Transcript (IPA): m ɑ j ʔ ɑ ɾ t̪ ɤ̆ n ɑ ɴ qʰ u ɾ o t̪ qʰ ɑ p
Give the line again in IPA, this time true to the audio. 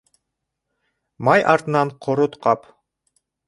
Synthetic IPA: m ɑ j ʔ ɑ ɾ t̪ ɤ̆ n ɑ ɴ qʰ o ɾ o t̪ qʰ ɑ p